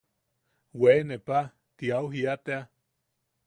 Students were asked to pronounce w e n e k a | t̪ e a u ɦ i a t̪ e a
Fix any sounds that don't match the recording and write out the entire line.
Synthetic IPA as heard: w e n e p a | t̪ i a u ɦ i a t̪ e a

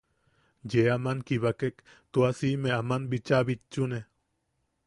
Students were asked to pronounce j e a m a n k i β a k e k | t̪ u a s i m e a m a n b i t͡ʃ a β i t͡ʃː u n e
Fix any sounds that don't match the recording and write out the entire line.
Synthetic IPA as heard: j e a m a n k i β a k e k | t̪ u a s i m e a m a n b i t͡ʃ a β i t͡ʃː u n e

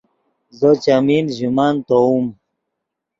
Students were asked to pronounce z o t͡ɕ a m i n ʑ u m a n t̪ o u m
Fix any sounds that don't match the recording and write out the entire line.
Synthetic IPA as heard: z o t͡ɕ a m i n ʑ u m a n t̪ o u m

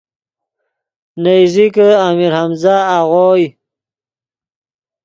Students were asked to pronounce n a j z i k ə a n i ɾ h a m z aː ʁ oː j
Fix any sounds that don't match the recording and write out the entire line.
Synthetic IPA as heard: n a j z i k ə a m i ɾ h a m z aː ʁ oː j

